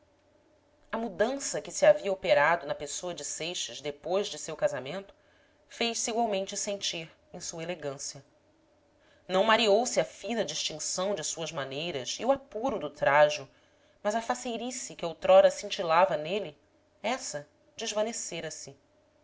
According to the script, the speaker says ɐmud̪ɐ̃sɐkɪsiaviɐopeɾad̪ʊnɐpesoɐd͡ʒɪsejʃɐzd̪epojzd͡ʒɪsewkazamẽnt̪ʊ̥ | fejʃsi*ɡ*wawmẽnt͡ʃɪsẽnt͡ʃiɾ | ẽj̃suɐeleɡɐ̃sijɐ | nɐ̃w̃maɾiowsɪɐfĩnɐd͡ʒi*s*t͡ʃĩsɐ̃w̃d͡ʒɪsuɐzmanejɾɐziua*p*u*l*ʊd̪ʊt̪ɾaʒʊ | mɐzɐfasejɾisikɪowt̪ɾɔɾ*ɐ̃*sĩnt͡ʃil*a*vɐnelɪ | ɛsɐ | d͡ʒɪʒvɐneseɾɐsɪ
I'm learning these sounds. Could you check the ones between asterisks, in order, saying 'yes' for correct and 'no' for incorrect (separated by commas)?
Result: yes, no, yes, no, no, yes